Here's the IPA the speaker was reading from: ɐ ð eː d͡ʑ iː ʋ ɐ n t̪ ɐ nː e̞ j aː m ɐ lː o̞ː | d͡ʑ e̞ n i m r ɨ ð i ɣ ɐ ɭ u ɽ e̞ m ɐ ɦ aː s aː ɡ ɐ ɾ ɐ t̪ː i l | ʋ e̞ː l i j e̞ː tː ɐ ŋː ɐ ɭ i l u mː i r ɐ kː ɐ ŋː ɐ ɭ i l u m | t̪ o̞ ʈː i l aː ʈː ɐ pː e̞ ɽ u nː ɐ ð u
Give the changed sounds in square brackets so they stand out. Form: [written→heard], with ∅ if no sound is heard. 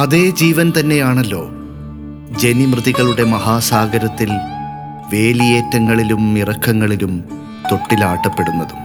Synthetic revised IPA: ɐ ð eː d͡ʑ iː ʋ ɐ n t̪ ɐ nː e̞ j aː [m→ɳ] ɐ lː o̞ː | d͡ʑ e̞ n i m r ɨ ð i ɣ ɐ ɭ u ɽ e̞ m ɐ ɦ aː s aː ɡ ɐ ɾ ɐ t̪ː i l | ʋ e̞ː l i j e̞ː tː ɐ ŋː ɐ ɭ i l u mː i r ɐ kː ɐ ŋː ɐ ɭ i l u m | t̪ o̞ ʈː i l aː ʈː ɐ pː e̞ ɽ u nː ɐ ð u